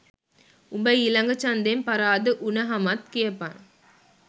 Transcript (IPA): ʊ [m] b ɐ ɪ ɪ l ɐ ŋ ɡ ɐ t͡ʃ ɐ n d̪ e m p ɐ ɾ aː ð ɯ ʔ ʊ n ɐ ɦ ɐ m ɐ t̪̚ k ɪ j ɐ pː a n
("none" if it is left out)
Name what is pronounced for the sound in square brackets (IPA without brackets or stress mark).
m